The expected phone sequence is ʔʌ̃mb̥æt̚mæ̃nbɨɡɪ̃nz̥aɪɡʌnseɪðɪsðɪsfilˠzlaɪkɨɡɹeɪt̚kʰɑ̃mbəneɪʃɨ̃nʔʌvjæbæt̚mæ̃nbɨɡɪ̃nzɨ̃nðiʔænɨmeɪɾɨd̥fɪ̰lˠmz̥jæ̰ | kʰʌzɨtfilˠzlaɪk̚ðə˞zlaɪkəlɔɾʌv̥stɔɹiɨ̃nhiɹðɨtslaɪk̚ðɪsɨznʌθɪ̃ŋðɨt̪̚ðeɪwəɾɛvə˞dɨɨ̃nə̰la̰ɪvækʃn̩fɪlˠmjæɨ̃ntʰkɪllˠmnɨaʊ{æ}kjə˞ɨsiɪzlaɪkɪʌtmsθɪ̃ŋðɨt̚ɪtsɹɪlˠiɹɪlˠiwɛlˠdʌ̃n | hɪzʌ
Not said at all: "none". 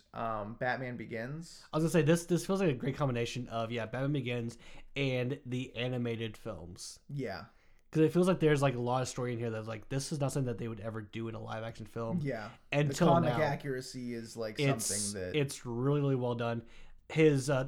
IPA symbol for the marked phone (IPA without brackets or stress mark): æ